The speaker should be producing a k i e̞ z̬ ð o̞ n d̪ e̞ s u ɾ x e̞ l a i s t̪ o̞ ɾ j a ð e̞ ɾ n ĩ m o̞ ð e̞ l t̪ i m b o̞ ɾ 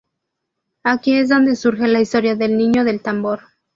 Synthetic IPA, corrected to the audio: a k i e̞ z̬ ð o̞ n d̪ e̞ s u ɾ x e̞ l a i s t̪ o̞ ɾ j a ð e̞ l n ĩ ɲ o̞ ð e̞ l t̪ a m b o̞ ɾ